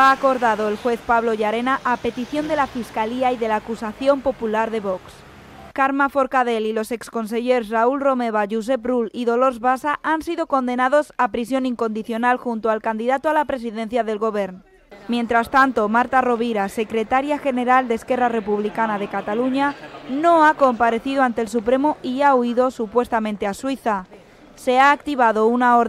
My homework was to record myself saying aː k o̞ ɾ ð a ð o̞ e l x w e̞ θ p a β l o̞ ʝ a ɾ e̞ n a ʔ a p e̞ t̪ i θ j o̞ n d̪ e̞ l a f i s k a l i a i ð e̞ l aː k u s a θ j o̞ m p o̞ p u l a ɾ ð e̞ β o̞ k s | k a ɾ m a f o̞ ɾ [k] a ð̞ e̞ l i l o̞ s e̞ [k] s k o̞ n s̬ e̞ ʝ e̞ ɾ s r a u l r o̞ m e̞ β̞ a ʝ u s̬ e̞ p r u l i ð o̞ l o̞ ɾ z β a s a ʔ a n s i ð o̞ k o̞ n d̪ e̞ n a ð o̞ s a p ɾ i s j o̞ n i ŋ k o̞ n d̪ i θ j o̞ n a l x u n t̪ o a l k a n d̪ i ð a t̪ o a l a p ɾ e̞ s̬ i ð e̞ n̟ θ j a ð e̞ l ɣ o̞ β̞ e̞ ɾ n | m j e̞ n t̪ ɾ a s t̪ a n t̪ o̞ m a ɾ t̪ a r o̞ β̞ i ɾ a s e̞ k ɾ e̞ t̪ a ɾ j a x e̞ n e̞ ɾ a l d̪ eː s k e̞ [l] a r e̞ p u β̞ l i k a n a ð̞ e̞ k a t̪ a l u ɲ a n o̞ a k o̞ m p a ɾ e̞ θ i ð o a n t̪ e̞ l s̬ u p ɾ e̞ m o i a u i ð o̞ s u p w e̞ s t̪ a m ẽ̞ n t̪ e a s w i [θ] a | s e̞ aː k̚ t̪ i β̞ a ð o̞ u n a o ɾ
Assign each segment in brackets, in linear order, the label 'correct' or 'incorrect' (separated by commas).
correct, correct, incorrect, correct